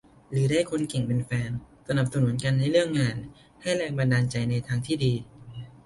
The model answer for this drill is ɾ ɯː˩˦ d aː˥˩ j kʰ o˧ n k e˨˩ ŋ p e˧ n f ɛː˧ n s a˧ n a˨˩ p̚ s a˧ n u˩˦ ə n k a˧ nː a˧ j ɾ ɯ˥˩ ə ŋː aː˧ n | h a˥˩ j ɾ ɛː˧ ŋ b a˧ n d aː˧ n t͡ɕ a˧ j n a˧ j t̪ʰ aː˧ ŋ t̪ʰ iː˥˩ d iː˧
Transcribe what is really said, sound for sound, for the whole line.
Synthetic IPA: ɾ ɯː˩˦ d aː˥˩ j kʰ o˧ n k e˨˩ ŋ p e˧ n f ɛː˧ n s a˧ n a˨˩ p̚ s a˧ n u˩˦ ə n k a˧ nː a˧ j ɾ ɯ˥˩ ə ŋː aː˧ n | h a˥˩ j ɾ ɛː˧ ŋ b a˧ n d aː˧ n t͡ɕ a˧ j n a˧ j t̪ʰ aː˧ ŋ t̪ʰ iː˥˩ d iː˧